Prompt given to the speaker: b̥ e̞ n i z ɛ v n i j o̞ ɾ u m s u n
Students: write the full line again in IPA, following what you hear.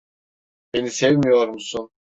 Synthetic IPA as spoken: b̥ e̞ n i s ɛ v m i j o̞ ɾ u m s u n